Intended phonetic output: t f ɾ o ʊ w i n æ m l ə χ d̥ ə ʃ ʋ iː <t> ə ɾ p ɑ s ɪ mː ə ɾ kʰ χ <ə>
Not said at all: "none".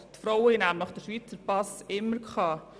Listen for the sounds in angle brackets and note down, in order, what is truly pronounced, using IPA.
t͡s, ɑ

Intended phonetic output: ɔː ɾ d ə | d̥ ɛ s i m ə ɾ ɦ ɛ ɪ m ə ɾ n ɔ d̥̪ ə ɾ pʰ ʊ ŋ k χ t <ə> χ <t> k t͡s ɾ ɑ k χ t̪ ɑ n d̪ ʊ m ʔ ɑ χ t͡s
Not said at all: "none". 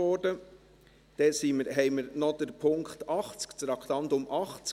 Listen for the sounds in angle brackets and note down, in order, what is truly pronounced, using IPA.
ɑ, t͡s

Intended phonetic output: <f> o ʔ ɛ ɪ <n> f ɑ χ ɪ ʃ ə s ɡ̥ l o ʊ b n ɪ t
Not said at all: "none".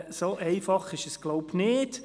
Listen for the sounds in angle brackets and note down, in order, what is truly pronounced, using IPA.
s, none

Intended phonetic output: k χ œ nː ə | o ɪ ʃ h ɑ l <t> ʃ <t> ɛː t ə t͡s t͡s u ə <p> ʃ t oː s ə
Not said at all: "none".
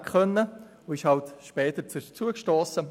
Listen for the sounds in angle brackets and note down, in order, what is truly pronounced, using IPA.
t, p, k

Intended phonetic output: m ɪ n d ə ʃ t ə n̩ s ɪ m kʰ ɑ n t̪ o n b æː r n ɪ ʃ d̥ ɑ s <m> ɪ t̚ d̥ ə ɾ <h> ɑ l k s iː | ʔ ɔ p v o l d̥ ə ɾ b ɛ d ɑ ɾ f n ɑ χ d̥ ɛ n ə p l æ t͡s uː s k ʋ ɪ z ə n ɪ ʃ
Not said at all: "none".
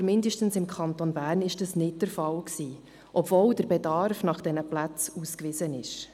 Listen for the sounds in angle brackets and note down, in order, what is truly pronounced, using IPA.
n, f

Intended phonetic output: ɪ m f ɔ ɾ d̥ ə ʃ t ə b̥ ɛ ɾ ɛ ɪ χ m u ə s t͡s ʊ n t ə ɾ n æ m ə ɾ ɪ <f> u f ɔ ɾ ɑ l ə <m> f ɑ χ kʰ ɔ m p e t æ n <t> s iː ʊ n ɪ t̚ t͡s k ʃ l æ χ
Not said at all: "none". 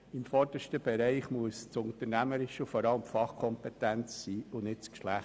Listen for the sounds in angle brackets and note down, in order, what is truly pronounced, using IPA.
ʃ, m, t͡s

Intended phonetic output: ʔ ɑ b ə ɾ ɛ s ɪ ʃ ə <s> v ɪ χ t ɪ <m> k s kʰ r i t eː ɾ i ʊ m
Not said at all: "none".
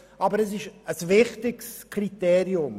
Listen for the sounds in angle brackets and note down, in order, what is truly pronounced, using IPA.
s, none

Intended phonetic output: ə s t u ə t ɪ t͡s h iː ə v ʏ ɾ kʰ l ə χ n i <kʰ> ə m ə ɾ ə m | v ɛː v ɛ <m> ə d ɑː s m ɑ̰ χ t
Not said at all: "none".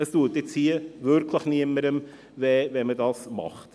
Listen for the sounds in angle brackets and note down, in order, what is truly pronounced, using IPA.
none, m

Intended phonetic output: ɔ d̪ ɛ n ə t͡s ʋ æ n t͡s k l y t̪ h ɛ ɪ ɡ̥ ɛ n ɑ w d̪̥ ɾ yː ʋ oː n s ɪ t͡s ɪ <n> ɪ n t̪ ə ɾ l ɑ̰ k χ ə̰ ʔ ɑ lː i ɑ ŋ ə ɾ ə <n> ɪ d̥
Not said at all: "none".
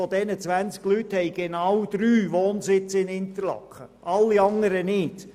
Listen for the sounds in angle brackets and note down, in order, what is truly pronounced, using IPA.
n, n

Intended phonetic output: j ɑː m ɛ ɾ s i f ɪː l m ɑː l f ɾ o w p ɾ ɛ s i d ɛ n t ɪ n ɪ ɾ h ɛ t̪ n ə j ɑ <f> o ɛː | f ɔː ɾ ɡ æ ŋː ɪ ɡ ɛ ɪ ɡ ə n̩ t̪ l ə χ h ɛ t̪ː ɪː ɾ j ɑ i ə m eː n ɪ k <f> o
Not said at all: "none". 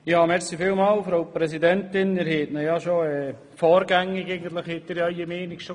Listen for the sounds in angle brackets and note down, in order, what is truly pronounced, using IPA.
ʃ, ʃ

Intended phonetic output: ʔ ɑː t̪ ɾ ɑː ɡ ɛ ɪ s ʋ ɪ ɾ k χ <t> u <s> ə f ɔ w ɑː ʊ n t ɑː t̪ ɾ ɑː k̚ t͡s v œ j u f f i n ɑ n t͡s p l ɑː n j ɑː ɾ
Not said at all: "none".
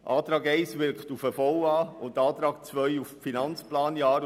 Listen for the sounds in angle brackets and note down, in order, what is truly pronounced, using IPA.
t, f

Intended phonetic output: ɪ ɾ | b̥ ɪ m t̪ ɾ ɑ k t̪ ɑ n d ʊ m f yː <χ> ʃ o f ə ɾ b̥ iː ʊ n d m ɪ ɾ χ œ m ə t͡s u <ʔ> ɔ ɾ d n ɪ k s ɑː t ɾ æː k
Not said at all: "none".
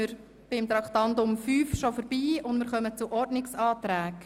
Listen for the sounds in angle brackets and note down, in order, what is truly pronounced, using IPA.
f, ʔ

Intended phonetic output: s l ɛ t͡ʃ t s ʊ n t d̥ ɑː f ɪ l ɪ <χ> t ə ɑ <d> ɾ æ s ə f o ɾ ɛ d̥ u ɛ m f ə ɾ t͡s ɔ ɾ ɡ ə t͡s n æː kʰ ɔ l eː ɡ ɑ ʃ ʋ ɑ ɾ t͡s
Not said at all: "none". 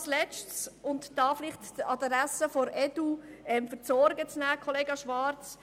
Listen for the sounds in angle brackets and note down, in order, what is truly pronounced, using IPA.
χ, d

